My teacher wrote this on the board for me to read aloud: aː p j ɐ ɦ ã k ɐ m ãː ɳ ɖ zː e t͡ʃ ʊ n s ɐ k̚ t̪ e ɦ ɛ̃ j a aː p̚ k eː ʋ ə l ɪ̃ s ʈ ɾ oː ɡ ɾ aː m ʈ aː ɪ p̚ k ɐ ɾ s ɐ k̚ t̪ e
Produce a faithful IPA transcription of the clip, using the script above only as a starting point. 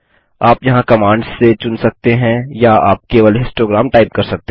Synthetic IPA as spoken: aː p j ɐ ɦ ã k ɐ m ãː ɳ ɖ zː e t͡ʃ ʊ n s ɐ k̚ t̪ e ɦ ɛ̃ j a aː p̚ k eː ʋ ə l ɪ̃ s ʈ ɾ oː ɡ ɾ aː m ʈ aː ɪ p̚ k ɐ ɾ s ɐ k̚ t̪ e